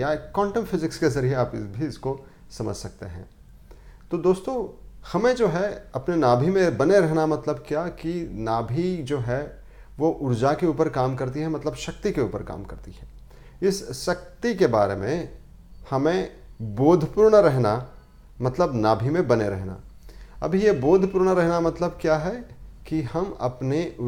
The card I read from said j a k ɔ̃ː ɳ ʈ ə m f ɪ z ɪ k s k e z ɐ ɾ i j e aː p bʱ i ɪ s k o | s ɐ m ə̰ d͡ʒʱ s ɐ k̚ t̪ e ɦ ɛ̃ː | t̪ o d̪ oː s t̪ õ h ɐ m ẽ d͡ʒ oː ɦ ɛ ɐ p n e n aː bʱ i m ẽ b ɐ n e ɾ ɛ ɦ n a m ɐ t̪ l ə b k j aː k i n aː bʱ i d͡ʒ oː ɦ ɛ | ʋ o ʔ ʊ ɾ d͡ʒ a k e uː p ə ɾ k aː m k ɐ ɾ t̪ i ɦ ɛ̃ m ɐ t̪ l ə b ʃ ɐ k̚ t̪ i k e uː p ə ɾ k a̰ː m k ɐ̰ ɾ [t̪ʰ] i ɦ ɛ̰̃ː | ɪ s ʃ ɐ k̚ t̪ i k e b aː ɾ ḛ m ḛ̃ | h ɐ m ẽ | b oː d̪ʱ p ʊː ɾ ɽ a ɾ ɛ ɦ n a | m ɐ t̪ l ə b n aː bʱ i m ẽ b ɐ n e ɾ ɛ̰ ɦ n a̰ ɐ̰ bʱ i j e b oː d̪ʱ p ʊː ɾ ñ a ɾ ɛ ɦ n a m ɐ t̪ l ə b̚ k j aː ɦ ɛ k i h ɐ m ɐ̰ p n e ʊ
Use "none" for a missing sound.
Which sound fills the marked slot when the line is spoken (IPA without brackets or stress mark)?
t̪